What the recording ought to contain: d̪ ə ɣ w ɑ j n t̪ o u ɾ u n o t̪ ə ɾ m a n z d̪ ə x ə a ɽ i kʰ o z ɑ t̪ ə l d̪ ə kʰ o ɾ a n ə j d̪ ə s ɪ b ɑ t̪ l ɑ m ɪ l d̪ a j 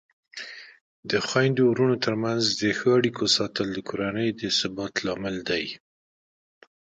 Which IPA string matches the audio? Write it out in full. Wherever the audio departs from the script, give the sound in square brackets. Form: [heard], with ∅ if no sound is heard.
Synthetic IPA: d̪ ə [x] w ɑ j n [d̪] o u ɾ u n o t̪ ə ɾ m a n z d̪ ə x ə a ɽ i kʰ o [s] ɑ t̪ ə l d̪ ə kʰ o ɾ a n ə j d̪ ə s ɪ b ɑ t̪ l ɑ m ɪ l d̪ a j